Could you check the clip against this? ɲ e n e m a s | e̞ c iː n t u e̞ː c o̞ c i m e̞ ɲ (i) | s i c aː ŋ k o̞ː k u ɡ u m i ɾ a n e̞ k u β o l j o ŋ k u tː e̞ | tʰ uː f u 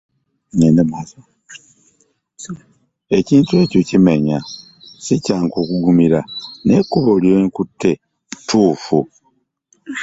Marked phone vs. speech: incorrect: a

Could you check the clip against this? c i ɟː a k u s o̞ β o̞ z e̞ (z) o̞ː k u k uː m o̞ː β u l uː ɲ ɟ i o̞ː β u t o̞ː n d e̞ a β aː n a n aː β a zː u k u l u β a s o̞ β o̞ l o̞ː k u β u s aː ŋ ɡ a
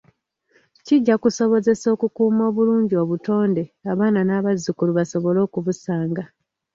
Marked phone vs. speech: incorrect: s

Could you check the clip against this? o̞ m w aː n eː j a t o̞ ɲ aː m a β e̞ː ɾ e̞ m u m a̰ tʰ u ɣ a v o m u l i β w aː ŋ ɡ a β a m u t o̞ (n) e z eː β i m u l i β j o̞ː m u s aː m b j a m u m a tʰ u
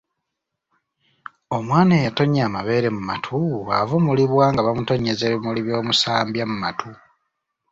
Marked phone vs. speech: incorrect: ɲ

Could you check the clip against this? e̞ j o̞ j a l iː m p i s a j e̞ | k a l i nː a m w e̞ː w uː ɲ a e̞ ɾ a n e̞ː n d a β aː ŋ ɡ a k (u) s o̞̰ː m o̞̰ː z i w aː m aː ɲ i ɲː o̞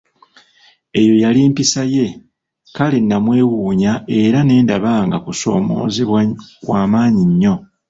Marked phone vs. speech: correct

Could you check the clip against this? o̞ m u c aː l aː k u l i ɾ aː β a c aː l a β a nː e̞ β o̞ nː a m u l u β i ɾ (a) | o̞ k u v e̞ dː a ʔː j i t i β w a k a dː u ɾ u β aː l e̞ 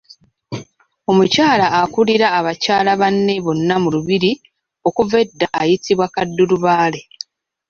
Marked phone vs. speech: incorrect: i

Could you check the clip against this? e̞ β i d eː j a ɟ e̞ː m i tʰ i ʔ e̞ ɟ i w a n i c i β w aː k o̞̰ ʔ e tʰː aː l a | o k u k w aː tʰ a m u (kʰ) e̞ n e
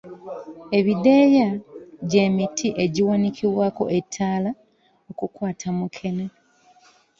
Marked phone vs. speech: correct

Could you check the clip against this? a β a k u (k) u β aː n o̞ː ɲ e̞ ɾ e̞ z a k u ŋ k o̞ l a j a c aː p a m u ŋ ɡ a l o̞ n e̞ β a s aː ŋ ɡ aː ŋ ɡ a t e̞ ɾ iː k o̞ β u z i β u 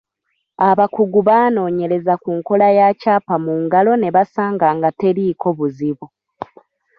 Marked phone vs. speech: incorrect: ɡ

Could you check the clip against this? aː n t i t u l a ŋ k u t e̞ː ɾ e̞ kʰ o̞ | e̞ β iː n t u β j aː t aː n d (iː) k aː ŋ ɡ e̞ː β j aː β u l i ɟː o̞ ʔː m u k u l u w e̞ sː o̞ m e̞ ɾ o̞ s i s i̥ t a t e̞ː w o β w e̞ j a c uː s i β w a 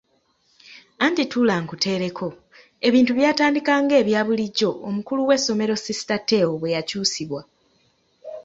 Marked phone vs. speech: incorrect: i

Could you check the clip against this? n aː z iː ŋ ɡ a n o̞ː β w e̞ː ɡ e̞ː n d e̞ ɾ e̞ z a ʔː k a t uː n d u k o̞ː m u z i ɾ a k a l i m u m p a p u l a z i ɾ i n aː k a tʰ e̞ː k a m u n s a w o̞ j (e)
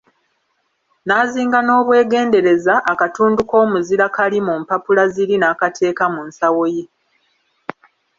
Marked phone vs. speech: correct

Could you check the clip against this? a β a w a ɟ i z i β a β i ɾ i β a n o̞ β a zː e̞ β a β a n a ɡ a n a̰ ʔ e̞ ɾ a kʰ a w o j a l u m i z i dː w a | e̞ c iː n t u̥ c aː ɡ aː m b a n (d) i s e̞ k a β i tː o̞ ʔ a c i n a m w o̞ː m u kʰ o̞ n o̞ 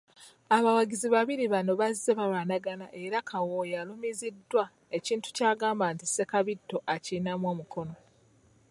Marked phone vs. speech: incorrect: t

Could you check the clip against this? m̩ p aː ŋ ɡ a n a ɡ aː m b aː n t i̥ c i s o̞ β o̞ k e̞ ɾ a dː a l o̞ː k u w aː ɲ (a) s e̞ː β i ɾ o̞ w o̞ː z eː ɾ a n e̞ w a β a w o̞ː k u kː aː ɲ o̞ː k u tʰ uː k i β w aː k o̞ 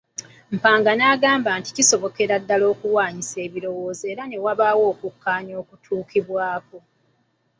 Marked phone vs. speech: incorrect: i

